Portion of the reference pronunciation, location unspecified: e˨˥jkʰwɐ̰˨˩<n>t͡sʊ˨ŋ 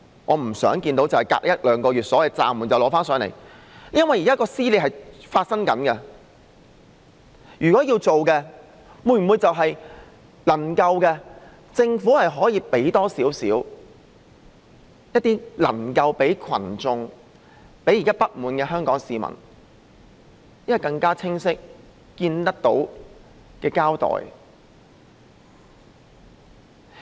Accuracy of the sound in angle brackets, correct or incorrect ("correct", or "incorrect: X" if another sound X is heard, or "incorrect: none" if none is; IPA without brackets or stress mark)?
correct